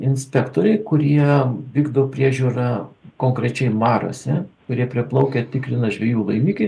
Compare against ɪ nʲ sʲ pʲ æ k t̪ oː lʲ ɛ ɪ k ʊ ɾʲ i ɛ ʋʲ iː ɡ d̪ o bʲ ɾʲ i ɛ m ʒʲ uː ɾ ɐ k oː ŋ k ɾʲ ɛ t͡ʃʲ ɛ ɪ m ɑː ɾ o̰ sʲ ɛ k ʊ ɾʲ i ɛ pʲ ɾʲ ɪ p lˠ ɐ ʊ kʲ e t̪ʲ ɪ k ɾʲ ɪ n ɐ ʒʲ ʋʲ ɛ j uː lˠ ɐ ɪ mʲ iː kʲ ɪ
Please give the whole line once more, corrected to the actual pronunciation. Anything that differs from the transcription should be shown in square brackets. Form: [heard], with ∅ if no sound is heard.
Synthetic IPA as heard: ɪ nʲ sʲ pʲ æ k t̪ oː [ɾʲ] ɛ ɪ k ʊ ɾʲ i ɛ ʋʲ iː ɡ d̪ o [pʲ] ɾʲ i ɛ [∅] ʒʲ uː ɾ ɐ k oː ŋ k ɾʲ ɛ t͡ʃʲ ɛ ɪ m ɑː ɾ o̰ sʲ ɛ k ʊ ɾʲ i ɛ pʲ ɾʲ ɪ p lˠ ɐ ʊ kʲ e t̪ʲ ɪ k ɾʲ ɪ n ɐ ʒʲ ʋʲ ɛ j uː lˠ ɐ ɪ mʲ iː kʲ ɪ